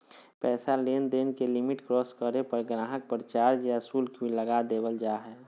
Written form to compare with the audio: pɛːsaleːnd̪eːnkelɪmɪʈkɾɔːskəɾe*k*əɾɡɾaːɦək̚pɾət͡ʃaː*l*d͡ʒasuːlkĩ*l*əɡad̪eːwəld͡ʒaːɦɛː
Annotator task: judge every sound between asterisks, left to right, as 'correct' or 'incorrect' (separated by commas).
incorrect, incorrect, correct